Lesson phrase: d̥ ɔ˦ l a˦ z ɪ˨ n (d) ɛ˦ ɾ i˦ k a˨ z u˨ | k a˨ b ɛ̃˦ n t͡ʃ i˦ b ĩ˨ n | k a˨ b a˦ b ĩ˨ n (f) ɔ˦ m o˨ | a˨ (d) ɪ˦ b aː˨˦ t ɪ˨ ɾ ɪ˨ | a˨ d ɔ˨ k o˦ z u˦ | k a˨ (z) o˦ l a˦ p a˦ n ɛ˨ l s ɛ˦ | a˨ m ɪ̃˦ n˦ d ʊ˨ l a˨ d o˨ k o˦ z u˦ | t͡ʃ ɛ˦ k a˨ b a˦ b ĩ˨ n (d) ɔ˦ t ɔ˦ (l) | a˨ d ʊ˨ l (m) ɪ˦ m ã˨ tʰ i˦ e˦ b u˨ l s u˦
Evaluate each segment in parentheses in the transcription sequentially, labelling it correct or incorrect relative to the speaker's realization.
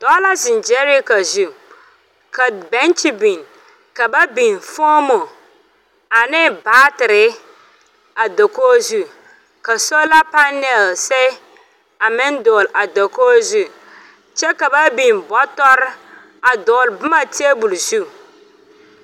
incorrect: d͡ʒ, correct, incorrect: n, incorrect: s, incorrect: b, incorrect: ɾ, incorrect: b

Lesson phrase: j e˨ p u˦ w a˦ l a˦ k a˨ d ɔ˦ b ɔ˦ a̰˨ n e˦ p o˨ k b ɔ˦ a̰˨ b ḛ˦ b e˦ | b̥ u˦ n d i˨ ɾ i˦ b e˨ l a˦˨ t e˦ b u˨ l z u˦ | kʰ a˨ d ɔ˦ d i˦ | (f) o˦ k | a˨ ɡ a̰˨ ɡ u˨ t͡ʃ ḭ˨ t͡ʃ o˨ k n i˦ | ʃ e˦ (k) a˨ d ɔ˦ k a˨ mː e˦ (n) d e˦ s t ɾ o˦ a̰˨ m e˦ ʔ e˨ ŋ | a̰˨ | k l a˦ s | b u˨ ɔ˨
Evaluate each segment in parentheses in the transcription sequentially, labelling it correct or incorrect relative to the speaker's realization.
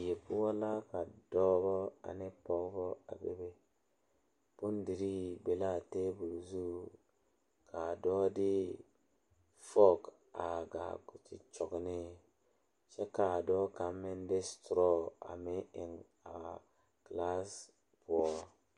correct, correct, correct

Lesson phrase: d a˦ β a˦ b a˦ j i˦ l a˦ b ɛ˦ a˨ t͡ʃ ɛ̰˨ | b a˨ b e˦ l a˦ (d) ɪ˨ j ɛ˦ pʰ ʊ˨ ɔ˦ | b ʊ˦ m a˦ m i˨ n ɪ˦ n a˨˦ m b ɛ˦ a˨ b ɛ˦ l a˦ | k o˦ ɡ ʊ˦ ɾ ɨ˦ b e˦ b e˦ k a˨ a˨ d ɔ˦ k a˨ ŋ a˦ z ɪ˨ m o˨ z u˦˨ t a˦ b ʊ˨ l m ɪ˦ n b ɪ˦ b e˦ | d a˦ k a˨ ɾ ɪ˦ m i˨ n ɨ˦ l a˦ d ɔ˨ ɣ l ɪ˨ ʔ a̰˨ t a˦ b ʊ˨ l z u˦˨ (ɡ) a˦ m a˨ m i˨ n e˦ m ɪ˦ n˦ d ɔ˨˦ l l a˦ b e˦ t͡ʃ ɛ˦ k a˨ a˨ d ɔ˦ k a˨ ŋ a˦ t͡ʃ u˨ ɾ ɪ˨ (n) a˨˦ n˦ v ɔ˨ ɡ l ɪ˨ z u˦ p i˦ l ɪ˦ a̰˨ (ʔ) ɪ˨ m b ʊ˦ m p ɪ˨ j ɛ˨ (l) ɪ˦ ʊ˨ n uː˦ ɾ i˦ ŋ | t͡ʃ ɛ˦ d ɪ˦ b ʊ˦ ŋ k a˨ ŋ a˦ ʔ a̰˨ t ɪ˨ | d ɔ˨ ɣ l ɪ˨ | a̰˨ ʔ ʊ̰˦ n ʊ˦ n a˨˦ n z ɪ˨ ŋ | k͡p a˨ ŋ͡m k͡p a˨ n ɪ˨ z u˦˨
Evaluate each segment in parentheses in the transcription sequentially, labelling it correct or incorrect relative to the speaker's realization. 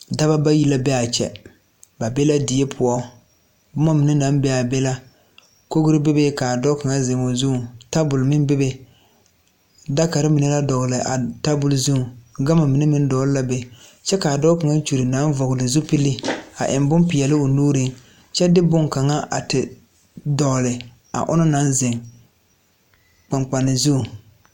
correct, correct, correct, correct, correct

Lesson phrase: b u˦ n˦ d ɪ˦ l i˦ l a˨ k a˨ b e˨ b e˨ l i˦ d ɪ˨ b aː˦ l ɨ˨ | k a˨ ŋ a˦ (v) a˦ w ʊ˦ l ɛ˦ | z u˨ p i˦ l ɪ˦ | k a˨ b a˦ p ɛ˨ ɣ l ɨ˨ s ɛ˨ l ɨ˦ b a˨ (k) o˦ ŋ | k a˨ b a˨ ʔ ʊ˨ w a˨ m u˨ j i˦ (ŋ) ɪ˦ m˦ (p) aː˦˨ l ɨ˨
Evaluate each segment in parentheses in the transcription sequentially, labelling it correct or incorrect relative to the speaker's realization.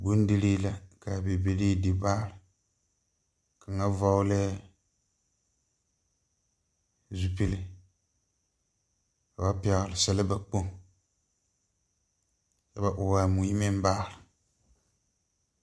correct, incorrect: k͡p, incorrect: m, incorrect: b

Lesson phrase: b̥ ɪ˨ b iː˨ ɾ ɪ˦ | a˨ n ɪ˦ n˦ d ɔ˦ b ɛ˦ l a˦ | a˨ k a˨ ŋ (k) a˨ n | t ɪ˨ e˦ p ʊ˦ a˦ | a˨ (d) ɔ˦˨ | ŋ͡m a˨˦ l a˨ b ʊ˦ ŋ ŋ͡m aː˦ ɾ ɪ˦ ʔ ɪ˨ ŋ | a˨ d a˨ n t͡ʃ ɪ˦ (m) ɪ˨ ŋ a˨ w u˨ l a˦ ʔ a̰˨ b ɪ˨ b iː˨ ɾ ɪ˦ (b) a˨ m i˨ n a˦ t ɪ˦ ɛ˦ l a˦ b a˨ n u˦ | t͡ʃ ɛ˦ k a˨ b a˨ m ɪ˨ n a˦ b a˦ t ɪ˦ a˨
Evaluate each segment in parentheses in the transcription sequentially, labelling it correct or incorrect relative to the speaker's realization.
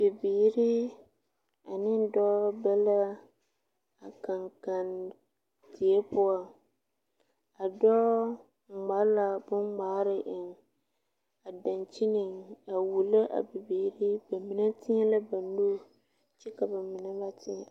correct, correct, incorrect: n, correct

